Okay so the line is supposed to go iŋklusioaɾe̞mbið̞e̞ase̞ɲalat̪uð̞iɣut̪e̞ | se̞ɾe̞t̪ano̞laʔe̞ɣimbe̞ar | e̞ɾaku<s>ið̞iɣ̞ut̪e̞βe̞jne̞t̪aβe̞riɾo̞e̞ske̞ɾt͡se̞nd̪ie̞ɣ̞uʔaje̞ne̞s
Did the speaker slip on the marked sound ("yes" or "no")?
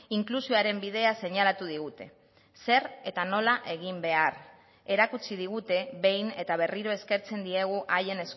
yes